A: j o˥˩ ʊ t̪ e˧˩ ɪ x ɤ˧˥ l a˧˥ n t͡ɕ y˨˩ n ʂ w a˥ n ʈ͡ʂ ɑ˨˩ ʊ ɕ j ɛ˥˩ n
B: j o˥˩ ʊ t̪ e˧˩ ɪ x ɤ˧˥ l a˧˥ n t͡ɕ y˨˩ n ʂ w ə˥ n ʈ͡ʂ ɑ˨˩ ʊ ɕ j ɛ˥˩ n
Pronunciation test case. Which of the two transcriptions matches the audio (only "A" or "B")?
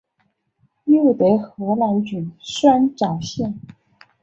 A